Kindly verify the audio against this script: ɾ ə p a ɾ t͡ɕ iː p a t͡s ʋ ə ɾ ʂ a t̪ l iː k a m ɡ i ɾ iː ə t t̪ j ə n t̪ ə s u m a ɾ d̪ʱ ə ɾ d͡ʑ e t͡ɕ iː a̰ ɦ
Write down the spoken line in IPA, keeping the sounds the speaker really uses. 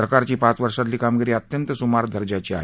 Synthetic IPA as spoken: ɾ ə k a ɾ t͡ɕ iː p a t͡s ʋ ə ɾ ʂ a t̪ l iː k a m ɡ i ɾ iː ə t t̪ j ə n t̪ ə s u m a ɾ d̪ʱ ə ɾ d͡ʑ a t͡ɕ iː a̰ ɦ